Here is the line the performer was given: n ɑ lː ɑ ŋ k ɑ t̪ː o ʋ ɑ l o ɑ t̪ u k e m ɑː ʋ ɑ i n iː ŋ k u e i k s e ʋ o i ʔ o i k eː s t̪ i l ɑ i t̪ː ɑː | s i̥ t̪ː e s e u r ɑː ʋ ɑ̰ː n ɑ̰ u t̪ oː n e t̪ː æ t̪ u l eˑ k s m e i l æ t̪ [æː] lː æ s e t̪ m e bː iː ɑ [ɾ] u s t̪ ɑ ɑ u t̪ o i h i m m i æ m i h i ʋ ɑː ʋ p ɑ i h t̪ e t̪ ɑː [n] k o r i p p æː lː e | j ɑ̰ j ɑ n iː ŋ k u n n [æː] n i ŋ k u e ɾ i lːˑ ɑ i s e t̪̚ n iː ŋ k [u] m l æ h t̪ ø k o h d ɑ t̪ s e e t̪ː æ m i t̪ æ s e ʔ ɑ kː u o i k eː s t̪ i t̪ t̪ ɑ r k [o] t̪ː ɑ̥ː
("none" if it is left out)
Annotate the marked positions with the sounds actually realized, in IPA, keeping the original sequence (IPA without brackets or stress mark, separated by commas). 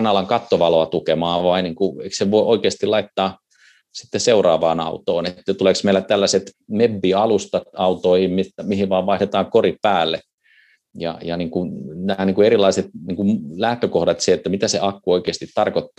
æ, l, ŋ, æː, u, o